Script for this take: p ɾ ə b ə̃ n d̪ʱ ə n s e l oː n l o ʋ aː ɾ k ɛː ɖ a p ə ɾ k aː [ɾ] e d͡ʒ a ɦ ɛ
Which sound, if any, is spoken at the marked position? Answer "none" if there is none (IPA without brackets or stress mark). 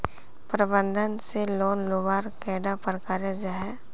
ɾ